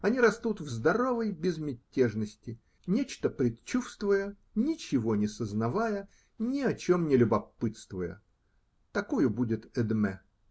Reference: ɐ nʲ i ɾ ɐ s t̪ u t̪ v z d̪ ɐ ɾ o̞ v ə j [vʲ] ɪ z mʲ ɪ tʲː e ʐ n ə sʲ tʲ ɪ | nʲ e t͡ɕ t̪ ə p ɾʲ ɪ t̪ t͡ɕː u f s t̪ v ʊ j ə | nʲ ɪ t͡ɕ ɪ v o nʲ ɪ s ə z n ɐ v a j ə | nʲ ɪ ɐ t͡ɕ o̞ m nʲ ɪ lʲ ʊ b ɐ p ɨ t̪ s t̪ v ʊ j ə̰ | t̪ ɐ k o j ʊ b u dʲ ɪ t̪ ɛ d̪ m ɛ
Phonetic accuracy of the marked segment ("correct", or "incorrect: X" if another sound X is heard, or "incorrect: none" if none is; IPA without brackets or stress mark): incorrect: bʲ